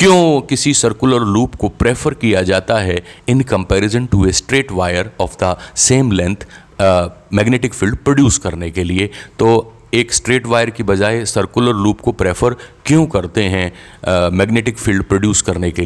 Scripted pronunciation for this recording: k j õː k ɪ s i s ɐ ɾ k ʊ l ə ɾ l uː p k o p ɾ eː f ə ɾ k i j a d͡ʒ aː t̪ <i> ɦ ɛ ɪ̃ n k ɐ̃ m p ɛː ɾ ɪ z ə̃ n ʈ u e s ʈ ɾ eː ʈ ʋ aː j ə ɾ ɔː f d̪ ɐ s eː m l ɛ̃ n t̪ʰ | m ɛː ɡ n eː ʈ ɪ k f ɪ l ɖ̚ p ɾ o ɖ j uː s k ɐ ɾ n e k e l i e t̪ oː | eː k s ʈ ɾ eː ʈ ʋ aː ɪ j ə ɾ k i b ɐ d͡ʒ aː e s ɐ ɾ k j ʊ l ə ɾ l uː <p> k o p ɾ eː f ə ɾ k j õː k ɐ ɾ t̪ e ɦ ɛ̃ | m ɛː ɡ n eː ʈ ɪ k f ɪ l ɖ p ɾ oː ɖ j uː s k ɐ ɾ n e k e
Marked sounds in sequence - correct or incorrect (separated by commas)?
incorrect, correct